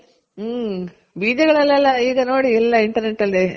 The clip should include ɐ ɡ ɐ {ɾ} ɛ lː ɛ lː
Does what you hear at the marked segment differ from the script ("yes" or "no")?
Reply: yes